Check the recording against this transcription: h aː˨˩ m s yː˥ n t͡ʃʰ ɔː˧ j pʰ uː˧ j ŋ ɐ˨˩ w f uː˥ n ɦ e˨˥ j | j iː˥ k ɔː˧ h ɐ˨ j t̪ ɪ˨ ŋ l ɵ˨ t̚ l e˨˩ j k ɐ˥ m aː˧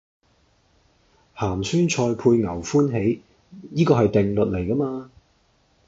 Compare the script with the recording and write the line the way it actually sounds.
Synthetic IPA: h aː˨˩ m s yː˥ n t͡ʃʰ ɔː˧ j pʰ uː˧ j ŋ ɐ˨˩ w f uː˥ n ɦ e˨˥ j | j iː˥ k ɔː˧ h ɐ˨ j t̪ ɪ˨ ŋ l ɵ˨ t̚ l e˨˩ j k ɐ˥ m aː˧